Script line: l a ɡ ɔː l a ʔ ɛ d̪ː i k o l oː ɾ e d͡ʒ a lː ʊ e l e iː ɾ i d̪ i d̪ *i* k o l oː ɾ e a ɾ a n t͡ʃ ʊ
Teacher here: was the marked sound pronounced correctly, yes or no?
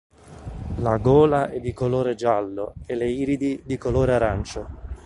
yes